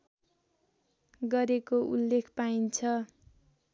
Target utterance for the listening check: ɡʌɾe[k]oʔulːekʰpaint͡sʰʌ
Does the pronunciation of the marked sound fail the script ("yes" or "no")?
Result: no